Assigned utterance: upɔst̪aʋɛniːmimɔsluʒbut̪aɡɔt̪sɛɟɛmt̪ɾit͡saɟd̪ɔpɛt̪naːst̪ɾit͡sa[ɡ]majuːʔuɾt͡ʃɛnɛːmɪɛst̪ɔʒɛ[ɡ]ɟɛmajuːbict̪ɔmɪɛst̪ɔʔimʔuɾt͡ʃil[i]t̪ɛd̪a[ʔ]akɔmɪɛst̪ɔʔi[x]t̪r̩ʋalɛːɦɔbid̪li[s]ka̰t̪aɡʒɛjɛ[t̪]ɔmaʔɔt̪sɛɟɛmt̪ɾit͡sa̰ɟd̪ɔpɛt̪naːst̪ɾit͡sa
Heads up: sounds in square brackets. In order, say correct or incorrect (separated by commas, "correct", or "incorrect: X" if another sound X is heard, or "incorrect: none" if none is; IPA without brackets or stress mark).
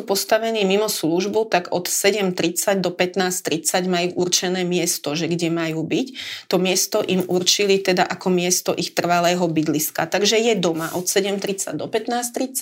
incorrect: ɟ, correct, correct, correct, correct, correct, incorrect: d̪